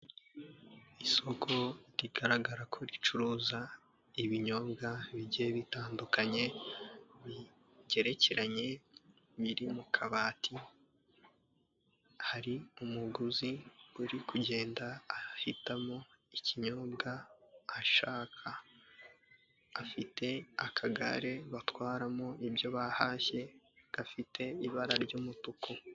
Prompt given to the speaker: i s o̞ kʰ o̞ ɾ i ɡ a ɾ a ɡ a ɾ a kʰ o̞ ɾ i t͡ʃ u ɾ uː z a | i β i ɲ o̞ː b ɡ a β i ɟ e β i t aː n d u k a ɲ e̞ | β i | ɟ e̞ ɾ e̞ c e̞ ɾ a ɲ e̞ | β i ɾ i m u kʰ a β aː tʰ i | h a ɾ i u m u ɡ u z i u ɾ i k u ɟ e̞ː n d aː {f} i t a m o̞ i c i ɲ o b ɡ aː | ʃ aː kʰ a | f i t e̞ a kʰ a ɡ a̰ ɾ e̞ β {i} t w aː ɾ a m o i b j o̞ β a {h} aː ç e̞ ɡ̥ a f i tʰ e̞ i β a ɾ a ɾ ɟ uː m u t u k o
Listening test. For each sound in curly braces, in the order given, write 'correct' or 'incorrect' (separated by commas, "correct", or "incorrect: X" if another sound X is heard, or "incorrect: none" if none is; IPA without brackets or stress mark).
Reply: incorrect: h, incorrect: a, correct